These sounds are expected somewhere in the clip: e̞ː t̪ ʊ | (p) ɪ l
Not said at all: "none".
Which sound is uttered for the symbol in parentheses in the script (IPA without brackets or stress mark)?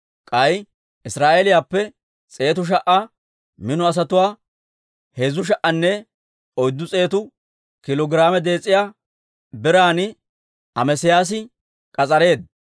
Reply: k